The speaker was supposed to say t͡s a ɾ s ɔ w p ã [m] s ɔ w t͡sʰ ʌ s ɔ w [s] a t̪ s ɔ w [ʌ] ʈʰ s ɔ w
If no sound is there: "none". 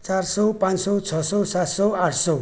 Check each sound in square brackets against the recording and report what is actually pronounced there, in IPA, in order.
n, s, a

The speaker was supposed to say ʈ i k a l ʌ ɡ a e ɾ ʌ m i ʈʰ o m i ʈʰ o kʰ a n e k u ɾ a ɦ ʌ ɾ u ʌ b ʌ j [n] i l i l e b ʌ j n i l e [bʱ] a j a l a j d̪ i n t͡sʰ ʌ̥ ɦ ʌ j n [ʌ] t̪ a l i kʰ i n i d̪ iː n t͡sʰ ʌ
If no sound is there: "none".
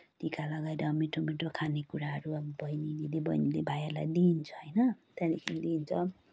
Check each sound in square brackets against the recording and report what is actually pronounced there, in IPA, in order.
n, bʱ, ʌ

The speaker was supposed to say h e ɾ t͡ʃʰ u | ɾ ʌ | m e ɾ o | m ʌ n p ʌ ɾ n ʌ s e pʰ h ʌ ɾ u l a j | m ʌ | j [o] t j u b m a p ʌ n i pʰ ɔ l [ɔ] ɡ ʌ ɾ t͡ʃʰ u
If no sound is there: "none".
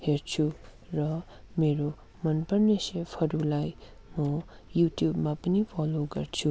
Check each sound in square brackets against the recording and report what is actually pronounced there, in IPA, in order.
u, o

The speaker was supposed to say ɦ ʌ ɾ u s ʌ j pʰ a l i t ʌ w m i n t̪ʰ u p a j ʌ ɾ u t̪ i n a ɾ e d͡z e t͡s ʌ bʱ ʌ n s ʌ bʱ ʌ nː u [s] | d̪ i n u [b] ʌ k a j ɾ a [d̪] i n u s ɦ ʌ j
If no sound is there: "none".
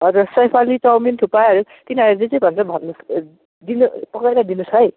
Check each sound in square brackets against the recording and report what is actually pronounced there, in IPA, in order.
s, p, d̪

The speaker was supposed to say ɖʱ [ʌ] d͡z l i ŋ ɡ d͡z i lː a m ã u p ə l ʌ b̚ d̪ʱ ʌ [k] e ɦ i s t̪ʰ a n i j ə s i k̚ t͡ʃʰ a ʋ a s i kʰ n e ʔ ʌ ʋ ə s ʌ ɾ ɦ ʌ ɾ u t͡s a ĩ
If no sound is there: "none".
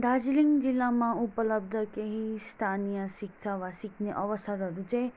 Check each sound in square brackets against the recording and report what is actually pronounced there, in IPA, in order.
a, k

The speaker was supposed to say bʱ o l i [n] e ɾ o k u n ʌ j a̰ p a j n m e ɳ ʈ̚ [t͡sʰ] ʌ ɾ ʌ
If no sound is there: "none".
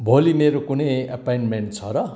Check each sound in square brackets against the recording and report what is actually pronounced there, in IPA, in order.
m, t͡sʰ

